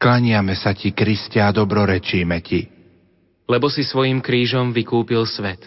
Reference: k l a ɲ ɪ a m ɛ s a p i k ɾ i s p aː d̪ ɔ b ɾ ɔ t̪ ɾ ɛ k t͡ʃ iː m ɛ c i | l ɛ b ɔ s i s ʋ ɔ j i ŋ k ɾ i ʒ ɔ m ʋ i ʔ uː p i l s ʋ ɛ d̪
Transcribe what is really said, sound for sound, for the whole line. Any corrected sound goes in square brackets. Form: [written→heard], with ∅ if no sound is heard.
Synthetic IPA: k l a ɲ ɪ a m ɛ s a [p→c] i k ɾ i s [p→c] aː d̪ ɔ b ɾ ɔ [t̪→∅] ɾ ɛ [k→∅] t͡ʃ iː m ɛ c i | l ɛ b ɔ s i s ʋ ɔ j i [ŋ→m] k ɾ [i→iː] ʒ ɔ m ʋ i [ʔ→k] uː p i l s ʋ ɛ [d̪→t̪]